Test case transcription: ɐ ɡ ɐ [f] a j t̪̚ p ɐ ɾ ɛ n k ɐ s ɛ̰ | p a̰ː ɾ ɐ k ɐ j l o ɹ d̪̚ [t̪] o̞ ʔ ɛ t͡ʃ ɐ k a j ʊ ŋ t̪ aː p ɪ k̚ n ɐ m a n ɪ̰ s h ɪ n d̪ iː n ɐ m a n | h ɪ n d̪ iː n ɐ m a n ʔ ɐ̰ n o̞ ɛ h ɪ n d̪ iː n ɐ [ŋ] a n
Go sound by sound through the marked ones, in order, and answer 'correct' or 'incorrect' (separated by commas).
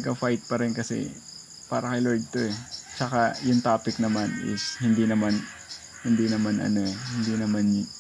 correct, correct, incorrect